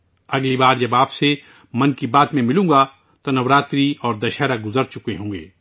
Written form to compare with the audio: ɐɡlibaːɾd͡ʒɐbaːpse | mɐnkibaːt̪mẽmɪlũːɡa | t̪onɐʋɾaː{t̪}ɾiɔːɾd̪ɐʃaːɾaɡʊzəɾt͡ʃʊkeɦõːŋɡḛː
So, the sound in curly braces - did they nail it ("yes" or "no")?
yes